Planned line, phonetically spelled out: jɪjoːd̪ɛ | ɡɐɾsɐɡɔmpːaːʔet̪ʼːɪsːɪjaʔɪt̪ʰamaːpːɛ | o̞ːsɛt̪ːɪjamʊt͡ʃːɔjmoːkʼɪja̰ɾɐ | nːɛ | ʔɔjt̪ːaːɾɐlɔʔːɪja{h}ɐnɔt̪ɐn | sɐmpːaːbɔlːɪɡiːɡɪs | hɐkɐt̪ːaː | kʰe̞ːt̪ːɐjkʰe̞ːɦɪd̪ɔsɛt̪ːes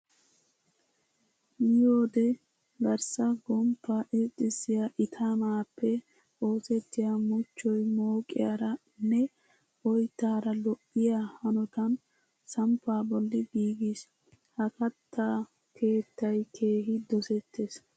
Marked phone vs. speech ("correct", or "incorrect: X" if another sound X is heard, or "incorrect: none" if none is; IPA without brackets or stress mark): correct